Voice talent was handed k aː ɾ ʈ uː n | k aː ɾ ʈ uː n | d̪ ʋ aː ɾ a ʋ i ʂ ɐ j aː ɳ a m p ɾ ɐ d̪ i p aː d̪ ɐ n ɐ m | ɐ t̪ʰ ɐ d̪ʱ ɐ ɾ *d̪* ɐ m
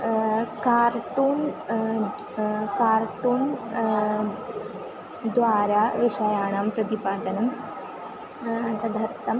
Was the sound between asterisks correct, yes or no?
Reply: no